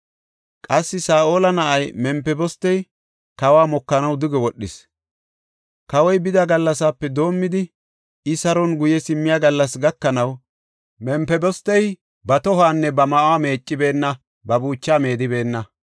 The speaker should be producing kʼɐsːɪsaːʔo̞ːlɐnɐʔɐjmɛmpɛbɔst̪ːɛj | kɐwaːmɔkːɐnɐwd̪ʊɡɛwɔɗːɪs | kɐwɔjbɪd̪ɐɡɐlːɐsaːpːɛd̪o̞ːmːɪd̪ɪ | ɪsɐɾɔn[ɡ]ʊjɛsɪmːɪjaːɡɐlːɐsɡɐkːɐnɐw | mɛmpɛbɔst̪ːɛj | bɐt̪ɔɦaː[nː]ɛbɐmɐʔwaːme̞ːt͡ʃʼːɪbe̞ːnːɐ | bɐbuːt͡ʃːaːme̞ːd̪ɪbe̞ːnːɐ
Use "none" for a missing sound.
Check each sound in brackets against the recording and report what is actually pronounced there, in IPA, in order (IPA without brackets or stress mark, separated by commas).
ɡ, nː